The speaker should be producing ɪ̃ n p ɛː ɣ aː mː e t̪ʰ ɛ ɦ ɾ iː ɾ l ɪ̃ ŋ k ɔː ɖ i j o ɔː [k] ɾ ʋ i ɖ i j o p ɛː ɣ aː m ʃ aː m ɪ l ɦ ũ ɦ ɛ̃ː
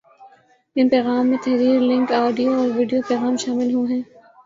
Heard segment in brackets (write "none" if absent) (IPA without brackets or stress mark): none